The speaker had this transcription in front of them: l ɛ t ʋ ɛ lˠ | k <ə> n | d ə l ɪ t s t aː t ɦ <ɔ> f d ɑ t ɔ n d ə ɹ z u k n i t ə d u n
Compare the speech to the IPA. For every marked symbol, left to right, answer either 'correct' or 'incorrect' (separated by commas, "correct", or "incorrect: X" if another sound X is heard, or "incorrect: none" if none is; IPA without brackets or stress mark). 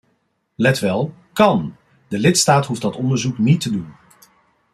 incorrect: ɑ, incorrect: u